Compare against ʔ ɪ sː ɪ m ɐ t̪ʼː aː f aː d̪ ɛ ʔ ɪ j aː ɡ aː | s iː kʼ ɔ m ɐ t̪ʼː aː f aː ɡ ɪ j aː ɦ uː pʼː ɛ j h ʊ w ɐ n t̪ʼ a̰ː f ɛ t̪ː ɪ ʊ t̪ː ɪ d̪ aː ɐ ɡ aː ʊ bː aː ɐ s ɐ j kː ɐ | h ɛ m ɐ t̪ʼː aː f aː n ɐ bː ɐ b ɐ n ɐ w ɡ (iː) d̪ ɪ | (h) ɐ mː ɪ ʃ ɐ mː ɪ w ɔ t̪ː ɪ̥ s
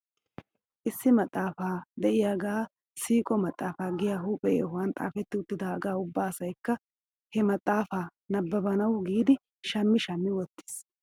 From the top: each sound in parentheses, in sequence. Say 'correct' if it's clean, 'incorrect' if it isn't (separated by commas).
correct, incorrect